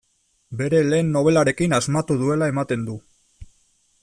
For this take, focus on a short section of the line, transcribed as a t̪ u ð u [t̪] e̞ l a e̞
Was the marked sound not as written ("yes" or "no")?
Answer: yes